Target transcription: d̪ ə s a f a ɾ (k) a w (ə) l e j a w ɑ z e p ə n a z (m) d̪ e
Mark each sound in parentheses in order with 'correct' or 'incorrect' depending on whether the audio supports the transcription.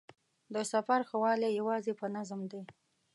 incorrect: x, incorrect: ɑ, correct

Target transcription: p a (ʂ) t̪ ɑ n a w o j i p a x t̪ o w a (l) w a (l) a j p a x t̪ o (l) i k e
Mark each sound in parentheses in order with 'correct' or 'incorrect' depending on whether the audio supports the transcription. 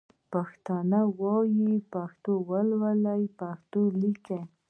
incorrect: x, correct, correct, correct

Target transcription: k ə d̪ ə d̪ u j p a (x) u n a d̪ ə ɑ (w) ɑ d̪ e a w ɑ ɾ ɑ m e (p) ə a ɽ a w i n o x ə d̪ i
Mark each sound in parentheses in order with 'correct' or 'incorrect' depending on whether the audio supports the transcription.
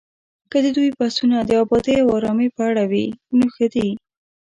incorrect: s, incorrect: b, correct

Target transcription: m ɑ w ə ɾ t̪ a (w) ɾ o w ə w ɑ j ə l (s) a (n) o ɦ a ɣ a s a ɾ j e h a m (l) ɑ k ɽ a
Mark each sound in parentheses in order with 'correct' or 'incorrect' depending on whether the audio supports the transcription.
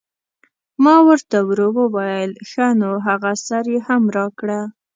correct, incorrect: x, correct, incorrect: ɾ

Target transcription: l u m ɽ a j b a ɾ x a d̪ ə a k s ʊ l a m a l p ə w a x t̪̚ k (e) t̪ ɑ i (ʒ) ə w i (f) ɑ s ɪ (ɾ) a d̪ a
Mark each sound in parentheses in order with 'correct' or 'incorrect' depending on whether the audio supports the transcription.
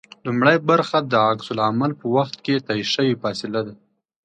correct, incorrect: ʃ, correct, incorrect: l

